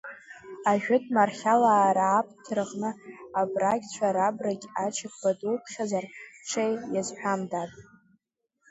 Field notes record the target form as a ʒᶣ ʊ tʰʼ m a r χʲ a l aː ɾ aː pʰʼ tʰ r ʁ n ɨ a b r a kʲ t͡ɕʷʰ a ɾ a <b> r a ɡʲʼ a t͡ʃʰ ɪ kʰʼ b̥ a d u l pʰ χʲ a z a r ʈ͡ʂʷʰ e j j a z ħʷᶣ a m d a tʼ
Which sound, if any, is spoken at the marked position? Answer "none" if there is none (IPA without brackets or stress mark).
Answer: b